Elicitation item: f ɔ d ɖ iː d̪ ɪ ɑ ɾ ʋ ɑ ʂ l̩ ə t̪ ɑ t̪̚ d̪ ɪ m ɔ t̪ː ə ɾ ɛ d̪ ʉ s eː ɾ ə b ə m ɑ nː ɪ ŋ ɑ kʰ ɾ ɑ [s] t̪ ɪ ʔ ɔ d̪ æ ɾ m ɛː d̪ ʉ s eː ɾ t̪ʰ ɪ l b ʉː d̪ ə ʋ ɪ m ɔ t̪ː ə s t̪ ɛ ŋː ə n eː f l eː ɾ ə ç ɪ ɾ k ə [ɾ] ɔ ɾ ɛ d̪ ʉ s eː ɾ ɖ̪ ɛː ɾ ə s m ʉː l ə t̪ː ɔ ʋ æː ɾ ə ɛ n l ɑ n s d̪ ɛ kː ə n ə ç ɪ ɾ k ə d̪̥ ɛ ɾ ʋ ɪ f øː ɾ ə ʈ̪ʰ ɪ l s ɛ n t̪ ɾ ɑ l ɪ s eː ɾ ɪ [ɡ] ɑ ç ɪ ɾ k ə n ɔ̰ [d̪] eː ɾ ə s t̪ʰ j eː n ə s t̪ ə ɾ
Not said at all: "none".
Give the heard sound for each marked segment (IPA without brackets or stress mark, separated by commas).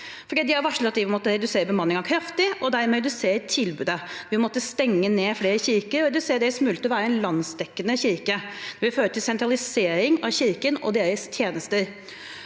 f, ɾ, ŋ, d̪